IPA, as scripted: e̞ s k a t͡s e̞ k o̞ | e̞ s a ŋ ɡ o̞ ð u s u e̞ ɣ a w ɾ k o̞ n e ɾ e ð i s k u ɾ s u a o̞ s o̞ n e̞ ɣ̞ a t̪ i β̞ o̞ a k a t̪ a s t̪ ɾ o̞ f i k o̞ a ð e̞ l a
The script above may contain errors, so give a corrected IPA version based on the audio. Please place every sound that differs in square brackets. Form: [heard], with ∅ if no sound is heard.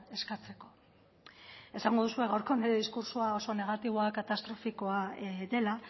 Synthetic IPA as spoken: e̞ s k a t͡s e̞ k o̞ | e̞ s a ŋ ɡ o̞ ð u s u e̞ ɣ a w ɾ k o̞ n e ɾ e ð i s k u ɾ s u a o̞ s o̞ n e̞ ɣ̞ a t̪ i β̞ o̞ a k a t̪ a s t̪ ɾ o̞ f i k o̞ a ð e̞ l a

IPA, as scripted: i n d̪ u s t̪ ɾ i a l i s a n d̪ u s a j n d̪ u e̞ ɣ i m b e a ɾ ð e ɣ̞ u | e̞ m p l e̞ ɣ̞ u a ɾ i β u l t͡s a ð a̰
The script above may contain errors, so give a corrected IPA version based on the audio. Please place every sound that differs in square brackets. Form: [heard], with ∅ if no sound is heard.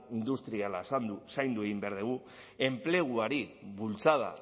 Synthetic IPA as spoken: i n d̪ u s t̪ ɾ i a l [a] s a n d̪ u s a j n d̪ u e̞ ɣ i m b e a ɾ ð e ɣ̞ u | e̞ m p l e̞ ɣ̞ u a ɾ i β u l t͡s a ð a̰

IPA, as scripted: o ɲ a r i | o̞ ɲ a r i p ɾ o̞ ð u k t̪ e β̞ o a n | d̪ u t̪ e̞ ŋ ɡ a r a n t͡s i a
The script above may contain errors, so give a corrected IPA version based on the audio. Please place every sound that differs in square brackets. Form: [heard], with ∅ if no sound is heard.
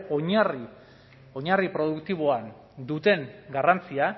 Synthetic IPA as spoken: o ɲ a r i | o̞ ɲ a r i p ɾ o̞ ð u k t̪ [i] β̞ o a n | d̪ u t̪ e̞ ŋ ɡ a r a n t͡s i a

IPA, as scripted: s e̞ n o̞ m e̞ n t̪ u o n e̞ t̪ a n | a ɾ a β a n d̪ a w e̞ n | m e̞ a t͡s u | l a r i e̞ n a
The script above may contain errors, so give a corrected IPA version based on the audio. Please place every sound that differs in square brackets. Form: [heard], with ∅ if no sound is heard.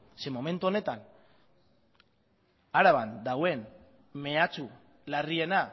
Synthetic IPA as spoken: s e̞ [m] o̞ m e̞ n t̪ u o n e̞ t̪ a n | a ɾ a β a n d̪ a w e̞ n | m e̞ a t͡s u | l a r i e̞ n a

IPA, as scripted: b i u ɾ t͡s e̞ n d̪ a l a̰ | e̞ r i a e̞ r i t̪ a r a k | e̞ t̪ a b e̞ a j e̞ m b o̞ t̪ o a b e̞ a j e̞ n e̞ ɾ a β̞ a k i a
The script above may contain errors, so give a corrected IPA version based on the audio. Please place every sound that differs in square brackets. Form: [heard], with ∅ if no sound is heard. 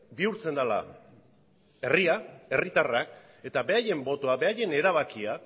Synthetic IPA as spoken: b i u ɾ t͡s e̞ n d̪ a l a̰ | e̞ r i a e̞ r i t̪ a r a k | e̞ t̪ a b e̞ a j e̞ m b o̞ t̪ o a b e̞ a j e̞ n e̞ ɾ a β̞ a k i a

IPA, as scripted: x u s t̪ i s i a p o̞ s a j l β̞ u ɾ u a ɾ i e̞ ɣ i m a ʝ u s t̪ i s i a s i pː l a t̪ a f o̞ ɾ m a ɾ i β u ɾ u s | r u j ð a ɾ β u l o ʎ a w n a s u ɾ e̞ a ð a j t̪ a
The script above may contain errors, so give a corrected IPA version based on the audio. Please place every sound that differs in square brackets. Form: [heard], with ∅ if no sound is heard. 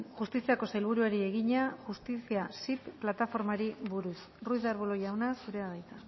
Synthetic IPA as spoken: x u s t̪ i s i a [k] o̞ s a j l β̞ u ɾ u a ɾ i e̞ ɣ i [ɲ] a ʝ u s t̪ i s i a s i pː l a t̪ a f o̞ ɾ m a ɾ i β u ɾ u s | r u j ð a ɾ β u l o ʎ a w n a s u ɾ e̞ a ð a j t̪ a

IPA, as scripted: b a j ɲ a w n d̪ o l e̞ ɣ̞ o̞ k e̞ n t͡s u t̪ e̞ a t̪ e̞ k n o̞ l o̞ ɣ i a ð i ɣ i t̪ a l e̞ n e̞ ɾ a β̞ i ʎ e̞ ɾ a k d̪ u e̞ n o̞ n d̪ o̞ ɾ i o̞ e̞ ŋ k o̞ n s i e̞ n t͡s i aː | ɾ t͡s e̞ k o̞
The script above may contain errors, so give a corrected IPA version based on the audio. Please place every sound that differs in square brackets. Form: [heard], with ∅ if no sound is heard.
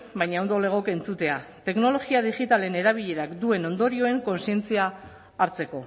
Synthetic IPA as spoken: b a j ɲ a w n d̪ o l e̞ ɣ̞ o̞ k e̞ n t͡s u t̪ e̞ a t̪ e̞ k n o̞ l o̞ ɣ i a ð i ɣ i t̪ a l e̞ n e̞ ɾ a β̞ i ʎ e̞ ɾ a k d̪ u e̞ n o̞ n d̪ o̞ ɾ i o̞ e̞ ŋ k o̞ n s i e̞ n t͡s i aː | ɾ t͡s e̞ k o̞

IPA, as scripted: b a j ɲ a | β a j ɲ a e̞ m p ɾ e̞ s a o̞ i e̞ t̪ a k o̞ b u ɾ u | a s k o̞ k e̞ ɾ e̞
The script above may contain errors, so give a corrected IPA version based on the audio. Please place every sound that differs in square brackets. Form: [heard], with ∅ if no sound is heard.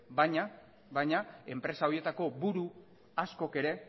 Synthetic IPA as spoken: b a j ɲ a | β a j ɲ a e̞ m p ɾ e̞ s a o̞ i e̞ t̪ a k o̞ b u ɾ u | a s k o̞ k e̞ ɾ e̞

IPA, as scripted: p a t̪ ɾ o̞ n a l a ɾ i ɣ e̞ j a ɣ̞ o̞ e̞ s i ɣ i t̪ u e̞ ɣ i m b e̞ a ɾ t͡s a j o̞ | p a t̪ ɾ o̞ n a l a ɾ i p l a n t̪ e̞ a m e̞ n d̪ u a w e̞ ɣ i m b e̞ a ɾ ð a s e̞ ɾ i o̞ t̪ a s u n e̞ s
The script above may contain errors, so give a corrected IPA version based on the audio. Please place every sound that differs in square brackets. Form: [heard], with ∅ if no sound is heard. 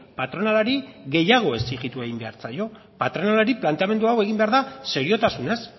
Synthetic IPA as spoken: p a t̪ ɾ o̞ n a l a ɾ i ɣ e̞ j a ɣ̞ o̞ e̞ s i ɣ i t̪ u e̞ ɣ i m b e̞ a ɾ t͡s a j o̞ | p a t̪ ɾ o̞ n a l a ɾ i p l a n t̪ e̞ a m e̞ n d̪ u a w e̞ ɣ i m b e̞ a ɾ ð a s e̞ ɾ i o̞ t̪ a s u n e̞ s

